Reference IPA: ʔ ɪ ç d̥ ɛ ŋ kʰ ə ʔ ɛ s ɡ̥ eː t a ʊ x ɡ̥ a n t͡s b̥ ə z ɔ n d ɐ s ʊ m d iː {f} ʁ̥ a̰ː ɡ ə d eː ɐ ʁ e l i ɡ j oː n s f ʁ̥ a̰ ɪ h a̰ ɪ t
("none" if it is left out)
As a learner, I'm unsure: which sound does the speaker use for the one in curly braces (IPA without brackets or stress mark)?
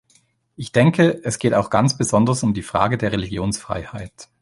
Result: f